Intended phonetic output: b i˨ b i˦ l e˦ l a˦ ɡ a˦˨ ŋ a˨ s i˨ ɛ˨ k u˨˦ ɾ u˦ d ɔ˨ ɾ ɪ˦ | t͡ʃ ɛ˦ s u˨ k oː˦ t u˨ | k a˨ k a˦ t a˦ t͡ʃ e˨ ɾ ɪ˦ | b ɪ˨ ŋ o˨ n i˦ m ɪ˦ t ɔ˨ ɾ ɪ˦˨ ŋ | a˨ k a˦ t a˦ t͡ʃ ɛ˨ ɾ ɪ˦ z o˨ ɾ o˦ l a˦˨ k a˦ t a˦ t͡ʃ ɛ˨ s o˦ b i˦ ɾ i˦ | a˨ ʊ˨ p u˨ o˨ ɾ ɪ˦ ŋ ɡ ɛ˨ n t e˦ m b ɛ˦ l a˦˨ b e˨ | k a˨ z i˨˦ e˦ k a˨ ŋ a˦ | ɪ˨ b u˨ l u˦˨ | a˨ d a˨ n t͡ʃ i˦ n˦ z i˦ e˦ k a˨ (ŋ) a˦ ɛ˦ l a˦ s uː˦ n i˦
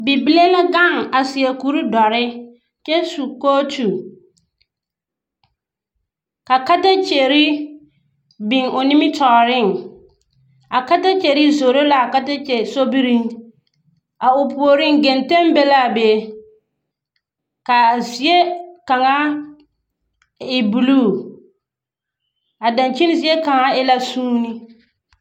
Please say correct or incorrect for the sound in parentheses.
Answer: correct